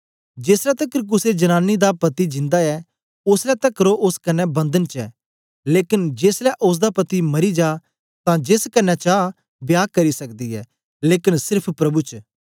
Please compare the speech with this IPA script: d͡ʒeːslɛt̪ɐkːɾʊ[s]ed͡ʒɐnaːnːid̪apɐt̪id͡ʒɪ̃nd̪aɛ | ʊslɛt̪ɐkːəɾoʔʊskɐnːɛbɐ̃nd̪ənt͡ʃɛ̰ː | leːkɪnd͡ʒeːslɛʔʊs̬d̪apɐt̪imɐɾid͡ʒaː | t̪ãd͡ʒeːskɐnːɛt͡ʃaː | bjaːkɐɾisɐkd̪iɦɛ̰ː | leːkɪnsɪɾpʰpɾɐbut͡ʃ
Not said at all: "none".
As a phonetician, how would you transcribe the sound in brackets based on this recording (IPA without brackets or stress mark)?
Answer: s